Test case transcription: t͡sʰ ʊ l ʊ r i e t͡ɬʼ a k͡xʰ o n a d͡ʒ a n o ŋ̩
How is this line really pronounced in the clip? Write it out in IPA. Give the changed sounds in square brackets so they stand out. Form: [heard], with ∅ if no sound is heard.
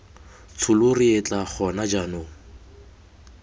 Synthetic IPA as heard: t͡sʰ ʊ l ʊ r i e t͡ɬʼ a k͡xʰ [ɔ] n a d͡ʒ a n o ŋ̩